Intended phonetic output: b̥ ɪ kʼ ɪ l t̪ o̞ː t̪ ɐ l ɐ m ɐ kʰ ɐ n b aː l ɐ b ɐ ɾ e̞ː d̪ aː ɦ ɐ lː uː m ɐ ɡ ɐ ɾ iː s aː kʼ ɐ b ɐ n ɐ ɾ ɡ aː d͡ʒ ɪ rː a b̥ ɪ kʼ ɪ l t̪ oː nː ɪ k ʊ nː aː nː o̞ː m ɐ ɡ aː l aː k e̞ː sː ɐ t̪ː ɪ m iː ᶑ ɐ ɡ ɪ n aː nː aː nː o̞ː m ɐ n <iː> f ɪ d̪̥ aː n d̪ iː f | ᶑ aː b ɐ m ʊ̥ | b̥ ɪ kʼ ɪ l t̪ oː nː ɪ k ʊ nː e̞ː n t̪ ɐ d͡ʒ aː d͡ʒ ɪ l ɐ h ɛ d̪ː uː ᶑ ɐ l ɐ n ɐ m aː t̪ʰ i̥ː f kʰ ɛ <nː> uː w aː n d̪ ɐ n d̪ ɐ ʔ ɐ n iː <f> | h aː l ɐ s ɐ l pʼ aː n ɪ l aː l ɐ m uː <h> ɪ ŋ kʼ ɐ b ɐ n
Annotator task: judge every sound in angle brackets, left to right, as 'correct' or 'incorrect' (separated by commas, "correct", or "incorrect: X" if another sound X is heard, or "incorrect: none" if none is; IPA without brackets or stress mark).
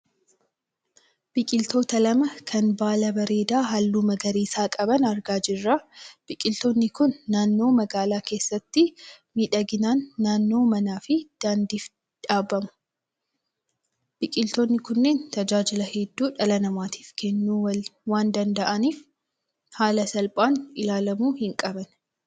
incorrect: aː, correct, correct, correct